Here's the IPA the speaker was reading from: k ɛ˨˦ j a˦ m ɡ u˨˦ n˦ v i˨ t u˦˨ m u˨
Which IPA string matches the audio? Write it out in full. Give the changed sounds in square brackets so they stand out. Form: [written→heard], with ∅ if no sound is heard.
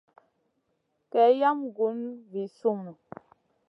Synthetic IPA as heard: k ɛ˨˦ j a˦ m ɡ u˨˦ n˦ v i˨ [t→s] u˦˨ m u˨